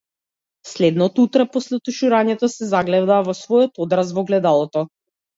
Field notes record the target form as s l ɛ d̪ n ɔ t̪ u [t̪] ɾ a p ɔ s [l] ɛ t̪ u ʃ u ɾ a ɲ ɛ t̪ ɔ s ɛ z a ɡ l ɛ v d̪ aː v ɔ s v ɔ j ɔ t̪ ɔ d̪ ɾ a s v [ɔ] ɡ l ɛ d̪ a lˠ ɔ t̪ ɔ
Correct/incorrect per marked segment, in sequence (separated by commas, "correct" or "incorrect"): correct, correct, correct